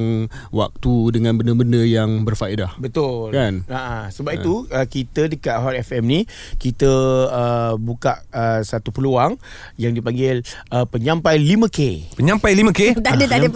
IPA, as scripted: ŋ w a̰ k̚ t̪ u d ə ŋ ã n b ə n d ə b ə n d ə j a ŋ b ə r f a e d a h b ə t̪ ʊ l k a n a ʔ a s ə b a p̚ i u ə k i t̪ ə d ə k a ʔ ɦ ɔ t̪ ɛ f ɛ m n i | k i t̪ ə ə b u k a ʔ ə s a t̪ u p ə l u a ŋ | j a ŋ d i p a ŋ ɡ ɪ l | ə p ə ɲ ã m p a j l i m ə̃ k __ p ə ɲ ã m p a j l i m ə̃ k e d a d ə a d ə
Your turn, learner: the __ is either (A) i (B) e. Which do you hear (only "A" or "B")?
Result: B